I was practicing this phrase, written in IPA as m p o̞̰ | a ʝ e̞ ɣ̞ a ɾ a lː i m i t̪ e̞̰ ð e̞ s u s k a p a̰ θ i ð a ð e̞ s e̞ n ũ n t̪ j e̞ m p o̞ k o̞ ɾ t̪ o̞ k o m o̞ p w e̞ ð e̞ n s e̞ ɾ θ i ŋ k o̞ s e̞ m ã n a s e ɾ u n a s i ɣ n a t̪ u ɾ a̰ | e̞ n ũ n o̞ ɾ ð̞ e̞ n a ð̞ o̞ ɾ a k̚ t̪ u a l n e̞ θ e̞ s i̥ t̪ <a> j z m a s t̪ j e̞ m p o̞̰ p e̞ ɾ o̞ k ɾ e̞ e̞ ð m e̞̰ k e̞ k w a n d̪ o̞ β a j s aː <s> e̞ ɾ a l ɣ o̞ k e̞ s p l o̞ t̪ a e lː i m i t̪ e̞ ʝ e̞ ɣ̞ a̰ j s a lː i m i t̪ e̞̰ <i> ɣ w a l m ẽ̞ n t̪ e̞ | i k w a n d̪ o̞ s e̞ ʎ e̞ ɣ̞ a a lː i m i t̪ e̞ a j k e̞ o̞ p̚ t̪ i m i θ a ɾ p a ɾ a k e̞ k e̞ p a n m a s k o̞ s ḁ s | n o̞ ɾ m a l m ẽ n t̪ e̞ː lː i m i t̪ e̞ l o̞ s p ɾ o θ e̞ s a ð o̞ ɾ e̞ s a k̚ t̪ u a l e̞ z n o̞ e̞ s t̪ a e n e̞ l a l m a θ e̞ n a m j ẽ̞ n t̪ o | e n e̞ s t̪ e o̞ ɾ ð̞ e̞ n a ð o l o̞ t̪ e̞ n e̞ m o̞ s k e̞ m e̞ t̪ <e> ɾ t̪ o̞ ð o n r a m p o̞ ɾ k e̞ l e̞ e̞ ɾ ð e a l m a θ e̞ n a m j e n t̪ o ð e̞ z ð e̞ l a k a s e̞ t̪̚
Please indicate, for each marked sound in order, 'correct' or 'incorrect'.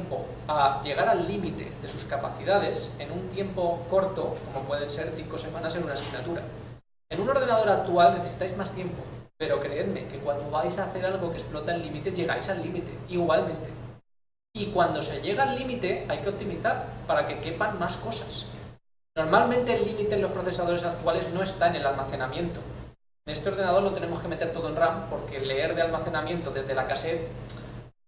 correct, incorrect, correct, correct

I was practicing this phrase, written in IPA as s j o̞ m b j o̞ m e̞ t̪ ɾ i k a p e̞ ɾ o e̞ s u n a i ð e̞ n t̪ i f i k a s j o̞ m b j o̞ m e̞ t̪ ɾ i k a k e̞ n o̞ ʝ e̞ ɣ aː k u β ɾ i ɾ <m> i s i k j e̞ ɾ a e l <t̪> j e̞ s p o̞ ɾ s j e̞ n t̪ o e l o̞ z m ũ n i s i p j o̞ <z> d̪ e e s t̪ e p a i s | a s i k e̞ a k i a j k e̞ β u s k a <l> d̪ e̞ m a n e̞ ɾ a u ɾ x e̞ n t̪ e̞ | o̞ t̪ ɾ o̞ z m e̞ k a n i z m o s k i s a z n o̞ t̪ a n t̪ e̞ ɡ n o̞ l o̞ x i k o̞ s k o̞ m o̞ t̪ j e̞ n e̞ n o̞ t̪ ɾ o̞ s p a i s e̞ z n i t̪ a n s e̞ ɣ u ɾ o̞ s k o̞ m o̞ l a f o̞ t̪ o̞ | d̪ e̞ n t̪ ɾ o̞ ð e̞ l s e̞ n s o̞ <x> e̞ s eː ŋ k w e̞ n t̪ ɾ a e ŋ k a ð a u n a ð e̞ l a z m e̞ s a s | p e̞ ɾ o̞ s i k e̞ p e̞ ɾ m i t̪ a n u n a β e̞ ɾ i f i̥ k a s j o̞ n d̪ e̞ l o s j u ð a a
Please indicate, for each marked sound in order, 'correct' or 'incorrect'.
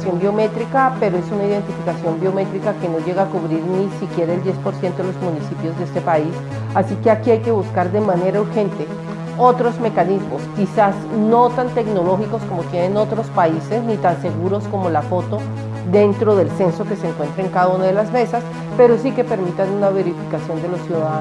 incorrect, incorrect, correct, incorrect, incorrect

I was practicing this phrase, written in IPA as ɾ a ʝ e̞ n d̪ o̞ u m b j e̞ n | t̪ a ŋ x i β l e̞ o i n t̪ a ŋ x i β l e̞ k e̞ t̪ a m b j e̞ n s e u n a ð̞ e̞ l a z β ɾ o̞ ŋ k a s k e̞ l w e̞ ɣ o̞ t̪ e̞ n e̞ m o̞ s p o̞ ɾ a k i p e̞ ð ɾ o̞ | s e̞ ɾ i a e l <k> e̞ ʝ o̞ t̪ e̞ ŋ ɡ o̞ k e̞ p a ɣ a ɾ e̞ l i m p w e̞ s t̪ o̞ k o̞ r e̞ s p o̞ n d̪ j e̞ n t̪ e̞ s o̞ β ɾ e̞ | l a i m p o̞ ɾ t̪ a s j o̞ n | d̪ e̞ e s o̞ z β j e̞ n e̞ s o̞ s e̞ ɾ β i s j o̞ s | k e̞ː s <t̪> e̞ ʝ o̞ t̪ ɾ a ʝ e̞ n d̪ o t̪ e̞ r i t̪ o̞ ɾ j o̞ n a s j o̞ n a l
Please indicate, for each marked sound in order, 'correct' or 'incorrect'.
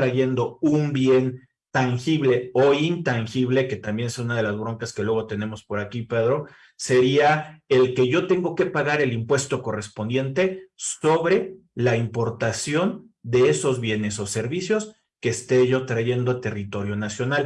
correct, correct

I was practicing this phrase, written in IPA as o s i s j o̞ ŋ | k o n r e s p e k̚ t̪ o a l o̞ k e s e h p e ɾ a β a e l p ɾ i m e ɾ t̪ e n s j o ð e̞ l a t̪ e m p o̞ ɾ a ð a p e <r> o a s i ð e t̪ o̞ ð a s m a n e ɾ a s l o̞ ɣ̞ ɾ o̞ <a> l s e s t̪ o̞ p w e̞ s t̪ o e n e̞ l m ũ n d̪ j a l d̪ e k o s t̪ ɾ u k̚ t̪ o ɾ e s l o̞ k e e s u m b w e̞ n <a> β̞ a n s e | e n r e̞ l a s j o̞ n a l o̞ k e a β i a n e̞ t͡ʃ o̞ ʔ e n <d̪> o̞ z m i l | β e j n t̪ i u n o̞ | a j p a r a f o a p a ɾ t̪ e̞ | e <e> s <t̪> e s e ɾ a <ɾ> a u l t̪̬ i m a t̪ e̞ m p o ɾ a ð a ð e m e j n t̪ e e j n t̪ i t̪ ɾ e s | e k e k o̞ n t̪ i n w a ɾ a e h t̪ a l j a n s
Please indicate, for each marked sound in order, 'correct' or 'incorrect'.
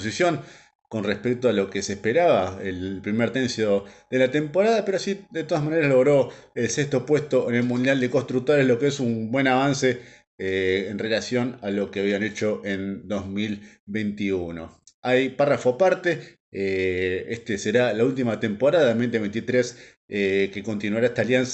incorrect, incorrect, correct, correct, correct, correct, incorrect

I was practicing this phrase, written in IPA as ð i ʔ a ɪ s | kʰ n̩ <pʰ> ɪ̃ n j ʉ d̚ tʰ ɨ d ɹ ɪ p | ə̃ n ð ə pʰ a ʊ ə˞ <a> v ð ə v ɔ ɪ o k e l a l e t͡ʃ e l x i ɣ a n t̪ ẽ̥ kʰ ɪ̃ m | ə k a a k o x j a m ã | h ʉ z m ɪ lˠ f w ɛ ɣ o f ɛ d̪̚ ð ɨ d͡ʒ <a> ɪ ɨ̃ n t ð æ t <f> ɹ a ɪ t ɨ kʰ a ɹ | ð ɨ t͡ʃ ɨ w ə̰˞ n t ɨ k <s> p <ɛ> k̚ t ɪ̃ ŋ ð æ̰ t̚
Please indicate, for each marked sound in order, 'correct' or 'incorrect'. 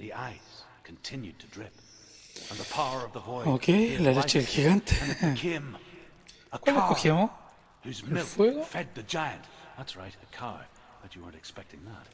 incorrect, incorrect, correct, incorrect, correct, correct

